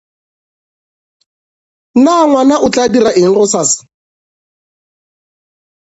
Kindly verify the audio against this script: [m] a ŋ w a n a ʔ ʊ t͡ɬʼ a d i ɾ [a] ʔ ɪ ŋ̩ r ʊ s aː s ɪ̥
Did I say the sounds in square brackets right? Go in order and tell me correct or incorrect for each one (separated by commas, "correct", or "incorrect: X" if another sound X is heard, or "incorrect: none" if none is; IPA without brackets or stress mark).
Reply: incorrect: n, correct